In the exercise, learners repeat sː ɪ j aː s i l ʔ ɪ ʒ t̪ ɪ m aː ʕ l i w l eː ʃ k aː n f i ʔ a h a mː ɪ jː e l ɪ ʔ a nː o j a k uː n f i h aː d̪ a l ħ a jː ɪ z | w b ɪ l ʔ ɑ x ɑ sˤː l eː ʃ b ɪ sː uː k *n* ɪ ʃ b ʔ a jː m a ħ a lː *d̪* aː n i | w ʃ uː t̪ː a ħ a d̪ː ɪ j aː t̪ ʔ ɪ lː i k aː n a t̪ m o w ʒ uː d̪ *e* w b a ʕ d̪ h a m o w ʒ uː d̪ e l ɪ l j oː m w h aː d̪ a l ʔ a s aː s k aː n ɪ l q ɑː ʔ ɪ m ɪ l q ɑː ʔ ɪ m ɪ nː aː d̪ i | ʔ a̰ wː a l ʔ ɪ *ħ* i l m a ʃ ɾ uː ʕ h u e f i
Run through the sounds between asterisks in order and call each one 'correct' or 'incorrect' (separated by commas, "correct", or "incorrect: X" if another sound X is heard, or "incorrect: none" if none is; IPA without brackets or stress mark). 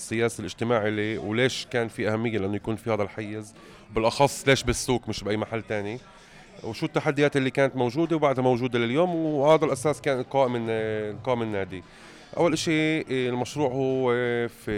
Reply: incorrect: m, incorrect: t̪, correct, incorrect: ʃ